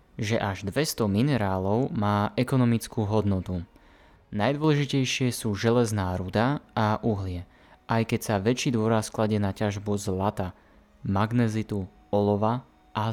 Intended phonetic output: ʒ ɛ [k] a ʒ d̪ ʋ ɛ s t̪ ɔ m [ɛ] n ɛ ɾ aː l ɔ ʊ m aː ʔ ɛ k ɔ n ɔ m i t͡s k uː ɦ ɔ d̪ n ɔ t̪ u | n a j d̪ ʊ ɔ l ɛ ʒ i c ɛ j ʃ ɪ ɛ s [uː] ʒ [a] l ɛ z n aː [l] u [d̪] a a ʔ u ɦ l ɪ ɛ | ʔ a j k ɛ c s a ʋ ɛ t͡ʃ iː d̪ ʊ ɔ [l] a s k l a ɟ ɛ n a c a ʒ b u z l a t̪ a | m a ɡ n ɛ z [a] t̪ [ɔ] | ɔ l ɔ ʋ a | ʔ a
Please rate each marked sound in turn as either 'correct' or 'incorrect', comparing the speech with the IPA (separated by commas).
incorrect, incorrect, correct, incorrect, incorrect, correct, incorrect, incorrect, incorrect